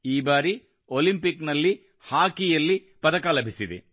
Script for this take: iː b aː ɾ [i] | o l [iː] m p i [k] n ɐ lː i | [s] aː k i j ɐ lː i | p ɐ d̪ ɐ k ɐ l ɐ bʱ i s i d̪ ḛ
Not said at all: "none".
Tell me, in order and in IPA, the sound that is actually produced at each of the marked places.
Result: i, i, k, h

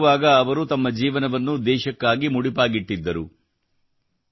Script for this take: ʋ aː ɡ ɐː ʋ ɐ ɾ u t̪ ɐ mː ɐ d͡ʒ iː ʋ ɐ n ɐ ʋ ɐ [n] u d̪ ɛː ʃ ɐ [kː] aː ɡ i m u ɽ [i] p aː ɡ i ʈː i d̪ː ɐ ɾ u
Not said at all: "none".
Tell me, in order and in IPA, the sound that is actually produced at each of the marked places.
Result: nː, kː, i

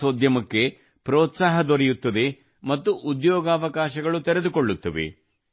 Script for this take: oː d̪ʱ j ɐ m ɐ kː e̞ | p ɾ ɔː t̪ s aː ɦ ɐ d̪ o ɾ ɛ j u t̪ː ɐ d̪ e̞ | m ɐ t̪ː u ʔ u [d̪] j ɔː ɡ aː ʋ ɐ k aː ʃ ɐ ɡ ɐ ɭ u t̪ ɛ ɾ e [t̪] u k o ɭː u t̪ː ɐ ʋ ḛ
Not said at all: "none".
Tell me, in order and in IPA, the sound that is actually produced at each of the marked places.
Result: d̪, d̪

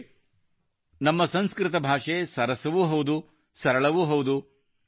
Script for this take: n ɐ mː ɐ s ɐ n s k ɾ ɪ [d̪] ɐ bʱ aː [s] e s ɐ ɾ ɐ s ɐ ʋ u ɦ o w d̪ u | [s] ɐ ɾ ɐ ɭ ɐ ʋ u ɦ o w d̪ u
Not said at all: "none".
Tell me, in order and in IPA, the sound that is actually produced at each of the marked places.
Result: t̪, ʂ, s

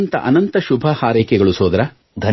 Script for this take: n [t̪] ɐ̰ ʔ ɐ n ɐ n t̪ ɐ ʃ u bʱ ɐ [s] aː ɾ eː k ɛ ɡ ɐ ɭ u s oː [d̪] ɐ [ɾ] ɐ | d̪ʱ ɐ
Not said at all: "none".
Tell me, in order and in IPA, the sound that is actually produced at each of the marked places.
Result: t̪, h, d̪, ɾ

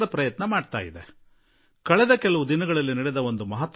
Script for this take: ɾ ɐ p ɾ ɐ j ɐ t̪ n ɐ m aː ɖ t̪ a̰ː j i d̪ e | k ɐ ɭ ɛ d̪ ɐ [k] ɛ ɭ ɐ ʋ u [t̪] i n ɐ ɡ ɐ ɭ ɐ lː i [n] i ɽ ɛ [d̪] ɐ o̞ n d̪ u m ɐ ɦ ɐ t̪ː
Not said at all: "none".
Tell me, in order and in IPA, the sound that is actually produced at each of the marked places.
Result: k, d̪, n, d̪

